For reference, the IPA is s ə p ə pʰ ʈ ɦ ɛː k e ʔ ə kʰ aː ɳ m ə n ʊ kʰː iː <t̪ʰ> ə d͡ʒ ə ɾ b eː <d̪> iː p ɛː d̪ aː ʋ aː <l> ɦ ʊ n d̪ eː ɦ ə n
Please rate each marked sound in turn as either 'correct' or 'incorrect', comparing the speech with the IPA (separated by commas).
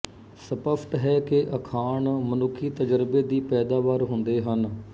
incorrect, correct, incorrect